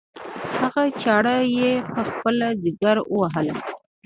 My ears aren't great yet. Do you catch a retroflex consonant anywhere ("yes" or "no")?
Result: yes